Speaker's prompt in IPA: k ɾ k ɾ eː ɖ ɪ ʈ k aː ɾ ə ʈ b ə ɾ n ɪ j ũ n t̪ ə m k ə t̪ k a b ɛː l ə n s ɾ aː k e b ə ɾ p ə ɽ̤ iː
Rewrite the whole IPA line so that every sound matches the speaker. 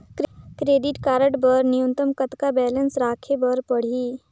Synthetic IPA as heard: k ɾ k ɾ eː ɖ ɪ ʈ k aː ɾ ə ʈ b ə ɾ n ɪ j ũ n t̪ ə m k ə t̪ k a b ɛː l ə n s ɾ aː kʰ e b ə ɾ p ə ɽ̤ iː